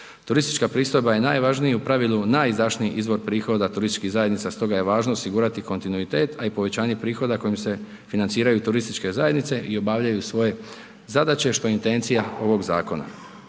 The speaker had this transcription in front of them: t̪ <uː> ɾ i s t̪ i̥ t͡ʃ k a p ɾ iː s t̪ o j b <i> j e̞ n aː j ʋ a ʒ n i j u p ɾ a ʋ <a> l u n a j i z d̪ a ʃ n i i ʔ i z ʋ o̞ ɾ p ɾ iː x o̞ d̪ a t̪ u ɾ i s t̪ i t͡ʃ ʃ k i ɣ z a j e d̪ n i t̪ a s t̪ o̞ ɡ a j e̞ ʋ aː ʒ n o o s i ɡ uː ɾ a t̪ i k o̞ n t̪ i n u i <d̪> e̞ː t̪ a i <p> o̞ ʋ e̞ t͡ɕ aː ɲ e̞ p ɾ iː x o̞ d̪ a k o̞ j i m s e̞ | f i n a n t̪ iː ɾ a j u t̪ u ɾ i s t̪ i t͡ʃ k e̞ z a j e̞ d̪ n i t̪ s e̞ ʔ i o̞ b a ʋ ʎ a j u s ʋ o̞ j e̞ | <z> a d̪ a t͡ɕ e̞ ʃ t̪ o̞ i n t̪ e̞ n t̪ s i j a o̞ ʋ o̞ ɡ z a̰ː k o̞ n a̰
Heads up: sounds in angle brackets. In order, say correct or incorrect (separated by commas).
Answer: incorrect, incorrect, incorrect, incorrect, correct, correct